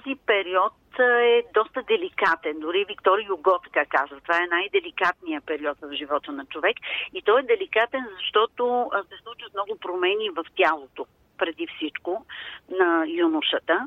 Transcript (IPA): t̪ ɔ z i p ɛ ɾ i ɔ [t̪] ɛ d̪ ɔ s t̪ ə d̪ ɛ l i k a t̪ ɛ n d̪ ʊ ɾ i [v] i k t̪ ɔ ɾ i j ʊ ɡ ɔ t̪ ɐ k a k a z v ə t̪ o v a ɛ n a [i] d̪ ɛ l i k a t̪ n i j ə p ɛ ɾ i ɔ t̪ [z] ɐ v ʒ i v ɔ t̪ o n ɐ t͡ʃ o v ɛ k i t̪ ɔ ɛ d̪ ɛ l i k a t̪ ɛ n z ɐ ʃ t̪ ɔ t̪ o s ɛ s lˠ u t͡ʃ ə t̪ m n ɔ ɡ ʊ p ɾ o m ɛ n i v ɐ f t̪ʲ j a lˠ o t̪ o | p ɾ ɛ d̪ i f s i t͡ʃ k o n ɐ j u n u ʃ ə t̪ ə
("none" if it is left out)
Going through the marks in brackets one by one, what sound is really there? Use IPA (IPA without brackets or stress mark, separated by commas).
t̪, v, j, v